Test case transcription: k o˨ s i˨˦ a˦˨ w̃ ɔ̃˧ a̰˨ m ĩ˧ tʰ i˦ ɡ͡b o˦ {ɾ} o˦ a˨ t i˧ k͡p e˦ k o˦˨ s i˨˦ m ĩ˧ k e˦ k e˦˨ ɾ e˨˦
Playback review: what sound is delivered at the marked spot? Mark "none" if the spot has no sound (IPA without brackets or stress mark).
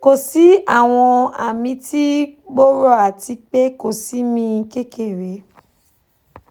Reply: ɾ